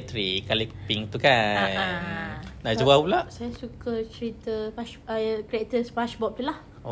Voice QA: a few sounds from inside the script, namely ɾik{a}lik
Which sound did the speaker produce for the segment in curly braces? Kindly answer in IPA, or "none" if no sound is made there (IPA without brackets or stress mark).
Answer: a